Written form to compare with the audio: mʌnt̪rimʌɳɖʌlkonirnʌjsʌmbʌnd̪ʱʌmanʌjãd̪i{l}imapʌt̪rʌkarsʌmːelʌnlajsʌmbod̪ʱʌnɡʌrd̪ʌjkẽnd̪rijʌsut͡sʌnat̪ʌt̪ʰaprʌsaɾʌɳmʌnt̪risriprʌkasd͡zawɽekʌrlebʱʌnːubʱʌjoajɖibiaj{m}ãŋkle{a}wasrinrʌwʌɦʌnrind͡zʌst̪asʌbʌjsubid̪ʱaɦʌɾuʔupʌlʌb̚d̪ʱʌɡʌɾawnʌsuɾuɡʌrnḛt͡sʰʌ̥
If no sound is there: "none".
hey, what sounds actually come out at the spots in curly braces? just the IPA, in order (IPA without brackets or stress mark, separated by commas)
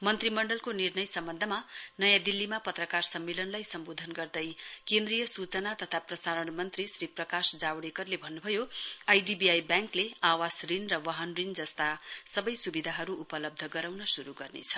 lː, b, a